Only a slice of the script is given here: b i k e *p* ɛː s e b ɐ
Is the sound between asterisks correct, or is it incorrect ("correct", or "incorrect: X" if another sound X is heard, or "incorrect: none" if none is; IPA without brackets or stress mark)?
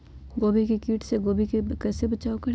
incorrect: k